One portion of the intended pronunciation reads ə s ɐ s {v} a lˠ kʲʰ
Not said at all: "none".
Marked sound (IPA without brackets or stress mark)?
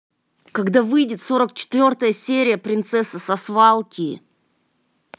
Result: v